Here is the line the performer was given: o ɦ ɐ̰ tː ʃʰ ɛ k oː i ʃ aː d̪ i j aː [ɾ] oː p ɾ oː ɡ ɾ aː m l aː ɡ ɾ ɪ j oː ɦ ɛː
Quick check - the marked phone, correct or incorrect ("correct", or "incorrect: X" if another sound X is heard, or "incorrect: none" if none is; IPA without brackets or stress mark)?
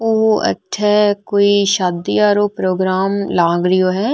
correct